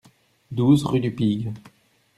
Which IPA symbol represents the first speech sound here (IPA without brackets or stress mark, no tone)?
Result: d̪